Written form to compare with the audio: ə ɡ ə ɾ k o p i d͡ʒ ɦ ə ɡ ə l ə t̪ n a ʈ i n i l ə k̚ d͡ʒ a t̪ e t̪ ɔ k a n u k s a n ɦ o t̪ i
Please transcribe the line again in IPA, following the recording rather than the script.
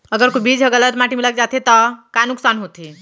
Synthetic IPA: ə ɡ ə ɾ k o b i d͡ʒ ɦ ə ɡ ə l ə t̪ m a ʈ i m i l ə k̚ d͡ʒ a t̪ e t̪ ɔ k a n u k s a n ɦ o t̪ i

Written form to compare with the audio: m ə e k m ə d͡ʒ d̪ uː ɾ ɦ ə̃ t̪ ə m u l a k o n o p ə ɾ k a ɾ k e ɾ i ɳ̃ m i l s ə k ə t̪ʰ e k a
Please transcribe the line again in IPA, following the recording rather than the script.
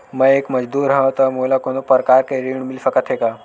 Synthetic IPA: m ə e k m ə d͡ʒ d̪ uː ɾ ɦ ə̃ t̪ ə m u l a k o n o p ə ɾ k a ɾ k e ɾ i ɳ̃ m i l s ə k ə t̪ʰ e k a

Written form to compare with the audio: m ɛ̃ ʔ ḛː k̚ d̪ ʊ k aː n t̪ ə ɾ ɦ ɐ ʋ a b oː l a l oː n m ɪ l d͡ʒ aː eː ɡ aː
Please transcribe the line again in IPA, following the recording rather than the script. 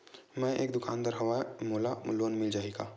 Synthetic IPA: m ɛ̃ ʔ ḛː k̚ d̪ ʊ k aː n d̪ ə ɾ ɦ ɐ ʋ a m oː l a l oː n m ɪ l d͡ʒ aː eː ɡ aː

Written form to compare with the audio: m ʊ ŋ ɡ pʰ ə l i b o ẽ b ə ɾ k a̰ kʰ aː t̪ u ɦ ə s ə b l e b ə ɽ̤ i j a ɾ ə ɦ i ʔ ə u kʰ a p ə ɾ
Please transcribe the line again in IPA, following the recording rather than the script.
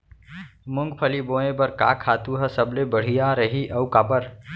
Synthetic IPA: m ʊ ŋ ɡ pʰ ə l i b o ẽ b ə ɾ k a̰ kʰ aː t̪ u ɦ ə s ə b l e b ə ɽ̤ i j a ɾ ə ɦ i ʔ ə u k a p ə ɾ

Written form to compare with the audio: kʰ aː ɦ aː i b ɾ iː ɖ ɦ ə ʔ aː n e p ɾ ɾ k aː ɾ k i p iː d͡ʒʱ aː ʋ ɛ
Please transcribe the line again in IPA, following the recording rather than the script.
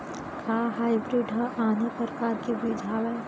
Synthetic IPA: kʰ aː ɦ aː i b ɾ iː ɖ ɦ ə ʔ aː n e p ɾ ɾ k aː ɾ k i b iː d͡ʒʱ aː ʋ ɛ

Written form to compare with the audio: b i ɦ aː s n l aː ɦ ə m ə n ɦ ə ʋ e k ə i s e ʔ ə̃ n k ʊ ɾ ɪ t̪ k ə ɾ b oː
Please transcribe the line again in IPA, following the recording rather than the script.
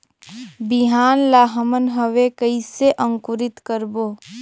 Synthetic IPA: b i ɦ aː n l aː ɦ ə m ə n ɦ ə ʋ e k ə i s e ʔ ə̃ ŋ k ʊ ɾ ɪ t̪ k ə ɾ b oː

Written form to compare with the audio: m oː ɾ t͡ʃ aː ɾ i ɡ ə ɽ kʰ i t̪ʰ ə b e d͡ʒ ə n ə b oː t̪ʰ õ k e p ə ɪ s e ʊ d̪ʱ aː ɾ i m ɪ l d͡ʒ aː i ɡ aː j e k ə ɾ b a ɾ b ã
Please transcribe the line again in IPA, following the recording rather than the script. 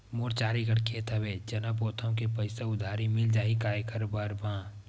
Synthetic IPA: m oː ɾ t͡ʃ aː ɾ i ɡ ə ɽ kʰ e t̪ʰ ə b e d͡ʒ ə n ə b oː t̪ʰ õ k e p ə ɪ s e ʊ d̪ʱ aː ɾ i m ɪ l d͡ʒ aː i k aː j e k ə ɾ b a ɾ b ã

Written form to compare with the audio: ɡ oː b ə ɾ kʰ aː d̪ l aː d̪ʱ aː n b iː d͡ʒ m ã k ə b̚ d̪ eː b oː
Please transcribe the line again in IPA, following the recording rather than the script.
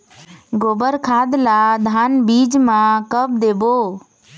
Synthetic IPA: ɡ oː b ə ɾ kʰ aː d̪ l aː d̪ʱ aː n b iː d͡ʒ m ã k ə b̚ d̪ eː b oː

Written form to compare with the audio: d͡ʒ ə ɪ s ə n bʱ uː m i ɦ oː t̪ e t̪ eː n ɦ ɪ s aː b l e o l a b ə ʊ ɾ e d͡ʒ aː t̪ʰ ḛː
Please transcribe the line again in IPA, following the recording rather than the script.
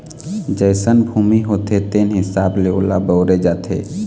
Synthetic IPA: d͡ʒ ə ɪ s ə n bʱ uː m i ɦ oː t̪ e t̪ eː n ɦ ɪ s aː b l e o l a b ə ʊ ɾ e d͡ʒ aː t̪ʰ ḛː

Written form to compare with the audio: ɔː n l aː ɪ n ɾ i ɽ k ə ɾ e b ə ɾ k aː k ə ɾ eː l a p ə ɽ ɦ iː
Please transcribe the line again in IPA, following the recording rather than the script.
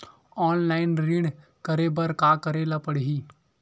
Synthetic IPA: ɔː n l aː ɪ n ɾ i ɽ k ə ɾ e b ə ɾ k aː k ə ɾ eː l a p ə ɽ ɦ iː

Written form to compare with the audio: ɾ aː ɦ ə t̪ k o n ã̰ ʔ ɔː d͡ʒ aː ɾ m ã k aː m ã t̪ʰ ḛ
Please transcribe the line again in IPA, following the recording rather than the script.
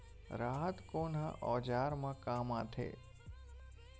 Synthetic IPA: ɾ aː ɦ ə t̪ k o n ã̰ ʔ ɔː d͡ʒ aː ɾ m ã k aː m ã t̪ʰ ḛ

